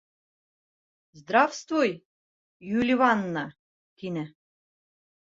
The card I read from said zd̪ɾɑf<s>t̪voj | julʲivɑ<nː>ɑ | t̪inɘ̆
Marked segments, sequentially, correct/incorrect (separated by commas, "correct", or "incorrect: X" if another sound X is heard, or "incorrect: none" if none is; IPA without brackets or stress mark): correct, correct